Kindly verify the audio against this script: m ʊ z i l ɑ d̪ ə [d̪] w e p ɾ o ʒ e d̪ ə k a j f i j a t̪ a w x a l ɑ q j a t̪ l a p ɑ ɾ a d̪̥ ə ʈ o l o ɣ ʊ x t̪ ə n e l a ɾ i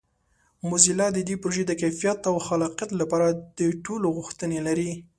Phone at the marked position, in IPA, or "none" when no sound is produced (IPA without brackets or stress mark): d̪